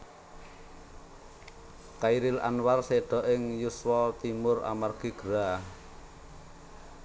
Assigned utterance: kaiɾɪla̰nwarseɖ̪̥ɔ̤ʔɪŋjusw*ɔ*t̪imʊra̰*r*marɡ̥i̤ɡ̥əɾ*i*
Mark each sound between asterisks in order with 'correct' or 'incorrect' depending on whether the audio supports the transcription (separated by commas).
correct, incorrect, incorrect